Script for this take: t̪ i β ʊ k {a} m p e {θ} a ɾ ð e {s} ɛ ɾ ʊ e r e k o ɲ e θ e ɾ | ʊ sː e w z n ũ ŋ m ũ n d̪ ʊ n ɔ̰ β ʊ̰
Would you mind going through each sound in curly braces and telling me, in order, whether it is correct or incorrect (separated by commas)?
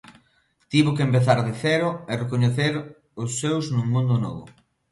incorrect, correct, incorrect